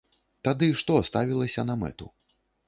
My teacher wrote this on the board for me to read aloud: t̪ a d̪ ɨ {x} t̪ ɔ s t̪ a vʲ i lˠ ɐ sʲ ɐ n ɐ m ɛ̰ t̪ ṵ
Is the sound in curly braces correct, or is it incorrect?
incorrect